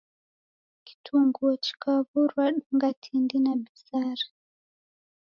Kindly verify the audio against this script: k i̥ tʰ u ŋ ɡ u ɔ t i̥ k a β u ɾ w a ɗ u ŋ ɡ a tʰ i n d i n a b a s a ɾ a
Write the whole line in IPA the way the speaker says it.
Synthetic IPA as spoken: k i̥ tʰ u ŋ ɡ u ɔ t͡ʃ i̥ k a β u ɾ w a ɗ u ŋ ɡ a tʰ i n d i n a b i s a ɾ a